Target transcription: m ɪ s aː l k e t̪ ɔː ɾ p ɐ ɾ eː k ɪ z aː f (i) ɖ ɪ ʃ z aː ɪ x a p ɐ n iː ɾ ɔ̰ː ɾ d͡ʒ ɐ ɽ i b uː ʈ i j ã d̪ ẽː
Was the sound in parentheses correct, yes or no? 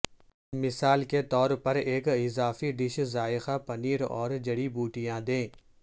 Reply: yes